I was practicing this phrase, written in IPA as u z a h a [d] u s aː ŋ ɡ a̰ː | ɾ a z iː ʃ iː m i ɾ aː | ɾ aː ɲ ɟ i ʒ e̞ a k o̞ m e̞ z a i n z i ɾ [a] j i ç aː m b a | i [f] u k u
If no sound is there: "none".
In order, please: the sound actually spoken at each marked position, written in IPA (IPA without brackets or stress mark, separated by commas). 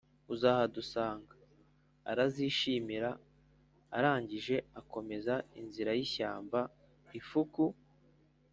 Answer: d, a, f